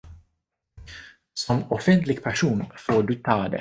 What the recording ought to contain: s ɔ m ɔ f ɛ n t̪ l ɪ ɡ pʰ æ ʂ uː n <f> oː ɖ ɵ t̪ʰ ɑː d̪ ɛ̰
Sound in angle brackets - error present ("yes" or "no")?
no